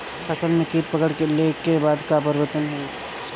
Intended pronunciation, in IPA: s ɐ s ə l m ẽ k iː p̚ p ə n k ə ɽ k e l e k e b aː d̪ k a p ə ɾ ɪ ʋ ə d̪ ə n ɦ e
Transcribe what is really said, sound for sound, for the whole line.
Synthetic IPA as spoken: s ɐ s ə l m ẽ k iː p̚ p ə k ə ɽ k e l e k e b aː d̪ k a p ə ɾ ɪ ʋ ə t̪ ə n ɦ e